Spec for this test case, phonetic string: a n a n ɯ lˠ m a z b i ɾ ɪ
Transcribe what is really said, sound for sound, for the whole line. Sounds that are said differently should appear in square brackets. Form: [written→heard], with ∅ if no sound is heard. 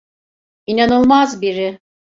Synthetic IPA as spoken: [a→i] n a n ɯ lˠ m a z b i ɾ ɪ